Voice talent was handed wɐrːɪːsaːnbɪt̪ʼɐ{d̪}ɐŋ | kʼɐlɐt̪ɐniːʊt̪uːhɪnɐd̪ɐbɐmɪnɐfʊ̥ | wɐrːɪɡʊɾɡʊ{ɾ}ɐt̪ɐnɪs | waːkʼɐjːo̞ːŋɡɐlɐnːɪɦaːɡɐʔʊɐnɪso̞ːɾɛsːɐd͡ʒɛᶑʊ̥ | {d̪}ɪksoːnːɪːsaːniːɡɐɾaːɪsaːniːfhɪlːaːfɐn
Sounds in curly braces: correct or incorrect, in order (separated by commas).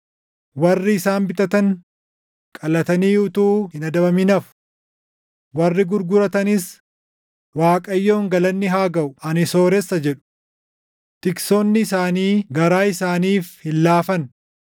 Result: incorrect, correct, incorrect